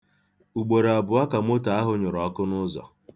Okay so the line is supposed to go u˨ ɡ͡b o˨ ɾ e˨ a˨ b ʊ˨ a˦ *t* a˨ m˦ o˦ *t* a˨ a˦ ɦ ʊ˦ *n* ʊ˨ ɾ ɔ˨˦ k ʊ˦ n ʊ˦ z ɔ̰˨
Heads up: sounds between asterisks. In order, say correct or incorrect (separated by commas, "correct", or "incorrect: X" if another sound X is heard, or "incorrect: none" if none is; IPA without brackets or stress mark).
incorrect: k, correct, incorrect: ɲ